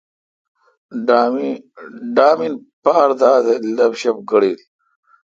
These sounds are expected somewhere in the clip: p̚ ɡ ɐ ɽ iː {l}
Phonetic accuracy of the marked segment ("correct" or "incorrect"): correct